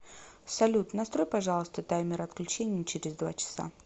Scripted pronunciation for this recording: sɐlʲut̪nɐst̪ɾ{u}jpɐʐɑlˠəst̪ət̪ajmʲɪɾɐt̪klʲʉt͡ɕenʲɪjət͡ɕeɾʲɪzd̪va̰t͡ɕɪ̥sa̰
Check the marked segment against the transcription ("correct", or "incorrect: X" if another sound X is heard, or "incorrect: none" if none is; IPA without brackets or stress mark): incorrect: o